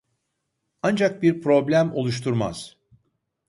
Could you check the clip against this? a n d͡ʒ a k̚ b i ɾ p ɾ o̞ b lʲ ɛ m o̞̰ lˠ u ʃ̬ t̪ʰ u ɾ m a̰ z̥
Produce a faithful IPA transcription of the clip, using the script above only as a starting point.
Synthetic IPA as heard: a n d͡ʒ a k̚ b i ɾ p ɾ o̞ b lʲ æ m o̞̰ lˠ u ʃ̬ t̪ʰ u ɾ m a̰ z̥